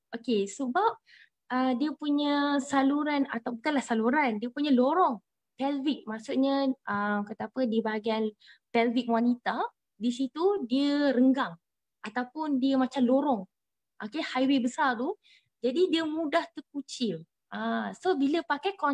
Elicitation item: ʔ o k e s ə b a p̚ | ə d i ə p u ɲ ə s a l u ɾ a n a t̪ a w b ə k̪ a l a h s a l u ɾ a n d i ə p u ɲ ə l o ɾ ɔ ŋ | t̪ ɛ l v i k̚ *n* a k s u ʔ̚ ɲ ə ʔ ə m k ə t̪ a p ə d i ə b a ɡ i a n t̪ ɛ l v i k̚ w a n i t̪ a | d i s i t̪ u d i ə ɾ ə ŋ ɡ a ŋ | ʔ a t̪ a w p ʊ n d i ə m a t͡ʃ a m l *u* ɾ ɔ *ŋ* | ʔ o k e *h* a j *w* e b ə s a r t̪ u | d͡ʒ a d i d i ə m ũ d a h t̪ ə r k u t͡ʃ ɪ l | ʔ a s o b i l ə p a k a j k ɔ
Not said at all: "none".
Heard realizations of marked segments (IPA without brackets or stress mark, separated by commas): m, o, ŋ, h, w